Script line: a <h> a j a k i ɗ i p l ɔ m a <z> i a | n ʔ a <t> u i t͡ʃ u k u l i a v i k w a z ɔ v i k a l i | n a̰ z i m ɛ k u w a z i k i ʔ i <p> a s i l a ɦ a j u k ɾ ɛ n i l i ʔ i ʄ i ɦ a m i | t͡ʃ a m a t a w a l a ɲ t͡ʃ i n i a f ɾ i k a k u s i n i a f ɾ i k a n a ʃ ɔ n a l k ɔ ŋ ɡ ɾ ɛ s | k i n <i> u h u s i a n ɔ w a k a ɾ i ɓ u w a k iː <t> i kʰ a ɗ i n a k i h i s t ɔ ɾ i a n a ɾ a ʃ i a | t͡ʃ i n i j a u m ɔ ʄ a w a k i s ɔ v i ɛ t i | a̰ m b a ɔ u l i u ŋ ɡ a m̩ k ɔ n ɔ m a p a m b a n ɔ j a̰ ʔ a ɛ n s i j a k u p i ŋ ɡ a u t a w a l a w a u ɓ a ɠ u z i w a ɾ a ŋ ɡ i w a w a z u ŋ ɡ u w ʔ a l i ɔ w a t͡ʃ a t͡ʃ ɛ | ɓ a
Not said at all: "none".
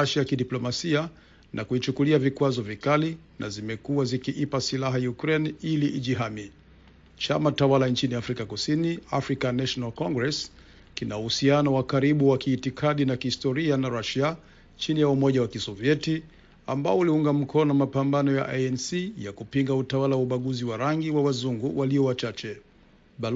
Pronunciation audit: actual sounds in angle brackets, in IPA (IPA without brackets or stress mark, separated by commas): ʃ, s, k, p, a, t